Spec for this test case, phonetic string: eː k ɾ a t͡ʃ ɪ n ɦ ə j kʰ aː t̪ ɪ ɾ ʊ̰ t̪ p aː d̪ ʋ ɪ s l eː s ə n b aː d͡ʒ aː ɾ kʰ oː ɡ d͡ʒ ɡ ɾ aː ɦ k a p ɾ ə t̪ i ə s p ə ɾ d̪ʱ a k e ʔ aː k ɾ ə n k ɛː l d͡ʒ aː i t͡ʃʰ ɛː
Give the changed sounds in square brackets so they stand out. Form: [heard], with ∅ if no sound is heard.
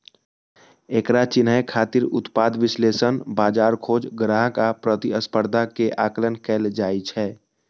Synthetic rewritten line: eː k ɾ a t͡ʃ ɪ n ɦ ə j kʰ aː t̪ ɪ ɾ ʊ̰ t̪ p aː d̪ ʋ ɪ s l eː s ə n b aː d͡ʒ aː ɾ kʰ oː [∅] d͡ʒ ɡ ɾ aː ɦ k a p ɾ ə t̪ i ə s p ə ɾ d̪ʱ a k e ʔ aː k [l] ə n k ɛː l d͡ʒ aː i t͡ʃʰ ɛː